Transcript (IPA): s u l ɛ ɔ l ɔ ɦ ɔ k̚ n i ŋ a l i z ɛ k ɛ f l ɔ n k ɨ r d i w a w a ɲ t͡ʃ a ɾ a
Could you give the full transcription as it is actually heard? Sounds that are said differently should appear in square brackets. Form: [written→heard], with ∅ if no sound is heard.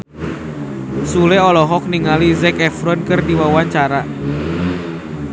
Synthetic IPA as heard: s u l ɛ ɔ l ɔ ɦ ɔ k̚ n i ŋ a l i z ɛ k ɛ f [l→ɾ] ɔ n k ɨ r d i w a w a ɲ t͡ʃ a ɾ a